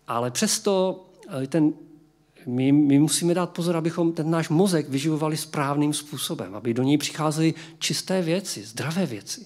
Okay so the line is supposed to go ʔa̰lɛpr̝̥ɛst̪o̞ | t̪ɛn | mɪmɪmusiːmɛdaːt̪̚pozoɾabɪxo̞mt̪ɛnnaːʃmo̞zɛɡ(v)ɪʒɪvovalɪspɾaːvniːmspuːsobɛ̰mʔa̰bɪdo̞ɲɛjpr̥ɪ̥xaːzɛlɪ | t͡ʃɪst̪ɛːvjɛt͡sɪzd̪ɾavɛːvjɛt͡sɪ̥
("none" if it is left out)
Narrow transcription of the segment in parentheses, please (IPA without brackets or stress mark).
v